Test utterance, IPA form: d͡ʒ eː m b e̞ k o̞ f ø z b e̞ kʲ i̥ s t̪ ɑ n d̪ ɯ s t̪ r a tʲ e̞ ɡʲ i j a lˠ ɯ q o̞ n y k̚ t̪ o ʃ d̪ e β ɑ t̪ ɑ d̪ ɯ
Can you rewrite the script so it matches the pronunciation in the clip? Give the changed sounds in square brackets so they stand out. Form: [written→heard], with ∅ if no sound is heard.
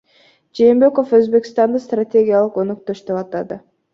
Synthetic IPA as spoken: d͡ʒ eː m b e̞ k o̞ f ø z b e̞ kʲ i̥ s t̪ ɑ n d̪ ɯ s t̪ r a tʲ e̞ ɡʲ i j a lˠ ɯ q o̞ n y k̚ t̪ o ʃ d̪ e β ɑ t̪ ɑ d̪ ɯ